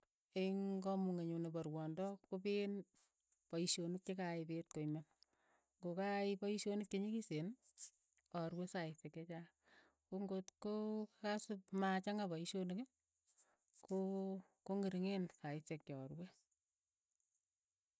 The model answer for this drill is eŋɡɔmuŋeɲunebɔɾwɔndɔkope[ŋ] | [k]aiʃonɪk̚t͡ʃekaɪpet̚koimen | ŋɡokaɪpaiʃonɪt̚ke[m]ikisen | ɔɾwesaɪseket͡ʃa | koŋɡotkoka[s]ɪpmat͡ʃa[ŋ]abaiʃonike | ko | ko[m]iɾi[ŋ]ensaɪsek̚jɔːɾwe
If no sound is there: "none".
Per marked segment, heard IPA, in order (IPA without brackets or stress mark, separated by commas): n, p, ɲ, s, ŋ, ŋ, ŋ